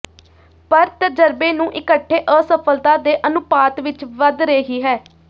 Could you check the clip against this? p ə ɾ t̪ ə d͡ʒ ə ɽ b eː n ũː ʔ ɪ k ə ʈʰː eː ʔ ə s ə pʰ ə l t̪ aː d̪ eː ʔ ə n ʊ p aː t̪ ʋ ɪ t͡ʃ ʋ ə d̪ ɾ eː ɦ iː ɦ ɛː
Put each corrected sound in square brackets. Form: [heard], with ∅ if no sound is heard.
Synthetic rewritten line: p ə ɾ t̪ ə d͡ʒ ə [ɾ] b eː n ũː ʔ ɪ k ə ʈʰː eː ʔ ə s ə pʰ ə l t̪ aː d̪ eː ʔ ə n ʊ p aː t̪ ʋ ɪ t͡ʃ ʋ ə d̪ ɾ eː ɦ iː ɦ ɛː